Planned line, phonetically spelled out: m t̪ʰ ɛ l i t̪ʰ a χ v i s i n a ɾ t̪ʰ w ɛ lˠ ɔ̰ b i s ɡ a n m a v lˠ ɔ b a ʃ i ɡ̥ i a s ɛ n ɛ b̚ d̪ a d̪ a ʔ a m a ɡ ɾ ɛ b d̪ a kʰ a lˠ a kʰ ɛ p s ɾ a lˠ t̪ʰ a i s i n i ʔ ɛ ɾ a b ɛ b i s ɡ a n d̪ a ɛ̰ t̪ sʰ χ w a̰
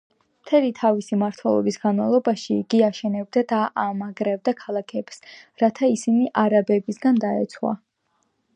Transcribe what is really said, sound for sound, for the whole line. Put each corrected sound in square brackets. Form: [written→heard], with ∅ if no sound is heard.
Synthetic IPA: m t̪ʰ ɛ l i t̪ʰ a [χ→∅] v i s i [n→m] a ɾ t̪ʰ w ɛ lˠ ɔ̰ b i s ɡ a n m a v lˠ ɔ b a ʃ i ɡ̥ i a [s→ʃ] ɛ n ɛ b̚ d̪ a d̪ a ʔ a m a ɡ ɾ ɛ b d̪ a kʰ a lˠ a kʰ ɛ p s ɾ a [lˠ→∅] t̪ʰ a i s i n i ʔ [ɛ→a] ɾ a b ɛ b i s ɡ a n d̪ a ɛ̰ t̪ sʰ χ w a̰